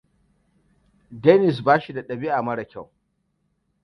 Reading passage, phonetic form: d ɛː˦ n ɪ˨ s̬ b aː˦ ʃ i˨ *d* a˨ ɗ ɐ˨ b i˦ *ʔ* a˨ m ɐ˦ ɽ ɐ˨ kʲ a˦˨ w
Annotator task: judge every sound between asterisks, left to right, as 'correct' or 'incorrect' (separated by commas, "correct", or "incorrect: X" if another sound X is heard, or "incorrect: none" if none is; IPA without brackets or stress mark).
correct, correct